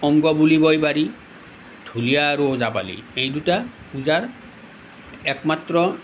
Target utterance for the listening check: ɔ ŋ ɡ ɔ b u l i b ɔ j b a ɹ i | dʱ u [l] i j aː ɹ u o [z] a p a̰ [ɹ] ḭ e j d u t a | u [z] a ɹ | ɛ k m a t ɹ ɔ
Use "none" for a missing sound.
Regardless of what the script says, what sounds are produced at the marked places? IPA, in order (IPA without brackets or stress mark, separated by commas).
l, z, l, z